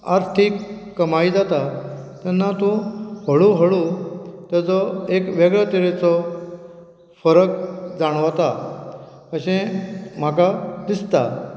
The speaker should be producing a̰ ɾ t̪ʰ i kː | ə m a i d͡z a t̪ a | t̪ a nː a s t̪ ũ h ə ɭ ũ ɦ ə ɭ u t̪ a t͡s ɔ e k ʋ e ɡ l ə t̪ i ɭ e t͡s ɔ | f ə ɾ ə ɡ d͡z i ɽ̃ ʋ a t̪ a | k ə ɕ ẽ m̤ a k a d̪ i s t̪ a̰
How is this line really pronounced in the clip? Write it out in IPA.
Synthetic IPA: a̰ ɾ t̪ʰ i kː | ə m a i d͡z a t̪ a | t̪ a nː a t̪ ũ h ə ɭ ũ ɦ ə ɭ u t̪ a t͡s ɔ e k ʋ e ɡ ɭ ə t̪ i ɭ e t͡s ɔ | f ə ɾ ə k d͡z a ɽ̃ ʋ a t̪ a | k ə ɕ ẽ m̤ a k a d̪ i s t̪ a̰